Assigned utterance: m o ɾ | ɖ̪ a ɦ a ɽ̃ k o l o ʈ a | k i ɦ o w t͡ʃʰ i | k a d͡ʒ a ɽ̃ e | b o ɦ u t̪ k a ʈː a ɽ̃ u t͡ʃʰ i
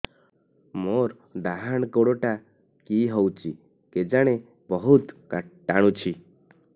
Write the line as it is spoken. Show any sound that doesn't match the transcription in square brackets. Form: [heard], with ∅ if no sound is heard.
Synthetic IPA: m o ɾ | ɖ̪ a ɦ a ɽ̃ k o [ɽ] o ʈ a | k i ɦ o w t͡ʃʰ i | k [e] d͡ʒ a ɽ̃ e | b [ɔ] ɦ u t̪ k a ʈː a ɽ̃ u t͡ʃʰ i